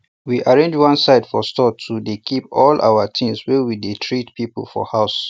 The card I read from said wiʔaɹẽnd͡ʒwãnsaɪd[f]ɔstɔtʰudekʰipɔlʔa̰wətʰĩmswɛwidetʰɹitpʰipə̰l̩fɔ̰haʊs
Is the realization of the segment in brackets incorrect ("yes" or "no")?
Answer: no